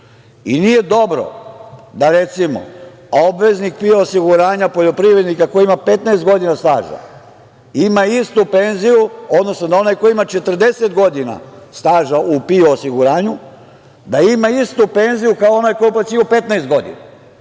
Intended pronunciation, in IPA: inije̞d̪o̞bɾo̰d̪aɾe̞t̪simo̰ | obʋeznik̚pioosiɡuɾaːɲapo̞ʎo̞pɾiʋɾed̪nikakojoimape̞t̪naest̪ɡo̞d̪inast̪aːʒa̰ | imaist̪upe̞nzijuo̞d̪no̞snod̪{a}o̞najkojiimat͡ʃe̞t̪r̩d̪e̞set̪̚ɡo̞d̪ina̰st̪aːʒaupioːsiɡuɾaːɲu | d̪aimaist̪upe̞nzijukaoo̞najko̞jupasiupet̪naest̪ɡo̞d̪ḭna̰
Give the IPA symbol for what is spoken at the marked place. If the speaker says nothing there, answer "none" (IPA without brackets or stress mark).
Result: a